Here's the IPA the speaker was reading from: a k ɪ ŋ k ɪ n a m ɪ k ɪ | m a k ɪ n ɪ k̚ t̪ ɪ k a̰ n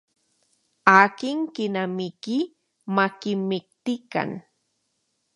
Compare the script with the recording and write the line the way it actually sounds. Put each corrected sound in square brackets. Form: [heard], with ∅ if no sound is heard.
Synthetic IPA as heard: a k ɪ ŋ k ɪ n a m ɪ k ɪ | m a k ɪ [m] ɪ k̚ t̪ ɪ k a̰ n